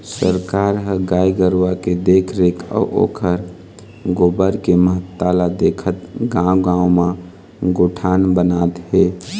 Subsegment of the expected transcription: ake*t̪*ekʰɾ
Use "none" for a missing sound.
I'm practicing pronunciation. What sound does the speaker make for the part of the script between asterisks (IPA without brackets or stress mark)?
d̪